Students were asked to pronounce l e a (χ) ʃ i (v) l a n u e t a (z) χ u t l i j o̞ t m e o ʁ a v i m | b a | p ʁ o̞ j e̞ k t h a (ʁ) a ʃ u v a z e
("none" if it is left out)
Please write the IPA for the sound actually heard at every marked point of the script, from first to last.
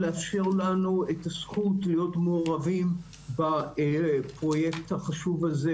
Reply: f, ʁ, s, χ

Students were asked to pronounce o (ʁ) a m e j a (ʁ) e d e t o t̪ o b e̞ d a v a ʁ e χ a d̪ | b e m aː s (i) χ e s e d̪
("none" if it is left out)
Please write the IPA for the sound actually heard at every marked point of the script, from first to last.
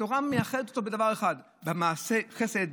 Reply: ʁ, χ, e

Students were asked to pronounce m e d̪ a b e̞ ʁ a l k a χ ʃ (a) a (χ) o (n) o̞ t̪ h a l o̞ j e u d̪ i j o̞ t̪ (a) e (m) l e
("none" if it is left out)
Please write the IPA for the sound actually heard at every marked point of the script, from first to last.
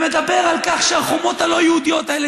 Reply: e, χ, m, a, none

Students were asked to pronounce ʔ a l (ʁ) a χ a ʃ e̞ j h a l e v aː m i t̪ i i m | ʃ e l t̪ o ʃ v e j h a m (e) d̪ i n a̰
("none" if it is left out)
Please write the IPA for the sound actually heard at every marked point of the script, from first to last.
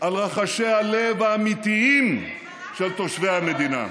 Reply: ʁ, e

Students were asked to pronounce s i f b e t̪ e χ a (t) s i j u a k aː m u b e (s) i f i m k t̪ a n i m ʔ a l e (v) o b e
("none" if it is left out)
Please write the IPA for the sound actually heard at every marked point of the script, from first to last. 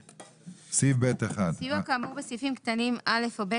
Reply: d, s, f

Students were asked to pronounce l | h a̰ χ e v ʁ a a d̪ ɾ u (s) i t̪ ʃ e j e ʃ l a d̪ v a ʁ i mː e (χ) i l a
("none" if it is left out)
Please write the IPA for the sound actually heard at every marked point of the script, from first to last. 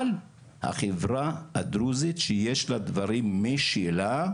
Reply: z, ʃ

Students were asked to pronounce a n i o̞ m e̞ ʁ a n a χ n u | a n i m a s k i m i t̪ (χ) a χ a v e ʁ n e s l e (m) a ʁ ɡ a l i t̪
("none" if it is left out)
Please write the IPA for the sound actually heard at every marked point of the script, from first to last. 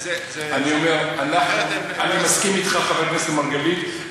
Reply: χ, m

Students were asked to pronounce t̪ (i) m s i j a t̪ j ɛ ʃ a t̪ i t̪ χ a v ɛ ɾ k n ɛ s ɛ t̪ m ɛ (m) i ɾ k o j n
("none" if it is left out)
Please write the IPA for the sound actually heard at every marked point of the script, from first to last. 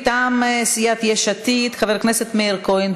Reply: a, none

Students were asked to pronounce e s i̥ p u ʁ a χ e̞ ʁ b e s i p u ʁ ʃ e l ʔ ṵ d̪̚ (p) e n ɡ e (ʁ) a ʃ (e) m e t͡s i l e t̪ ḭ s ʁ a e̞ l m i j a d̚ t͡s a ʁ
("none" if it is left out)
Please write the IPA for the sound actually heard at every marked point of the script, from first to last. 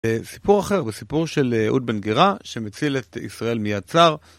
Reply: b, ʁ, e

